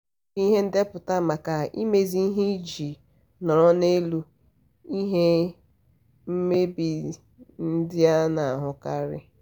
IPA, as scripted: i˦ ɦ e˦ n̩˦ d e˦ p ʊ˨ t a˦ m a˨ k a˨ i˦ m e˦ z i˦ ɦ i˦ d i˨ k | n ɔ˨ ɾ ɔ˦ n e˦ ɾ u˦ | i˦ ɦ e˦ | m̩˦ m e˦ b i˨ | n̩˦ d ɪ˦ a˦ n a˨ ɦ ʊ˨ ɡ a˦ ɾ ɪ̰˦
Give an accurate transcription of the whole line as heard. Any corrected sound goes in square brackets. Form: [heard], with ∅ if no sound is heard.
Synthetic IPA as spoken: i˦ ɦ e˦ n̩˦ d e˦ p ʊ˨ t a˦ m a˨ k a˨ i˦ m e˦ z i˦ ɦ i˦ [d͡ʒ] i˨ [∅] | n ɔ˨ ɾ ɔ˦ n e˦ [l] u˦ | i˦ ɦ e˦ | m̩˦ m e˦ b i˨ | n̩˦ d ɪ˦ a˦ n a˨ ɦ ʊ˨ [k] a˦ ɾ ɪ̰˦